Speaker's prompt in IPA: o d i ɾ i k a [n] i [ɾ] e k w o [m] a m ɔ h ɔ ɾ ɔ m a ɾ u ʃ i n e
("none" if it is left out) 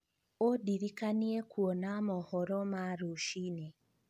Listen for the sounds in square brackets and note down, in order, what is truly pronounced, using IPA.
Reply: n, none, n

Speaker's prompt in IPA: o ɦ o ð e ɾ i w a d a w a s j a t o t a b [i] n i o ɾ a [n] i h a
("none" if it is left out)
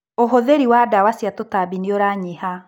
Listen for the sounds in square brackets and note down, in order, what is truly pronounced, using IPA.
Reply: i, ɲ

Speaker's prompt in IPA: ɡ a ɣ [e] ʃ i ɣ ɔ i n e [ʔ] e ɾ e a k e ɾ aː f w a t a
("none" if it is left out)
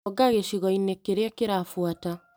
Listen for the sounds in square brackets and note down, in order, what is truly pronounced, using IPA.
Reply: e, k

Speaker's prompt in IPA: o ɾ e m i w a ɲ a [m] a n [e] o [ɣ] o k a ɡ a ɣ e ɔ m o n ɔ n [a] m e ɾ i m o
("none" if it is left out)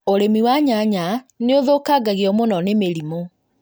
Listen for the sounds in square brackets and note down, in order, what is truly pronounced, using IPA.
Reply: ɲ, e, ð, e

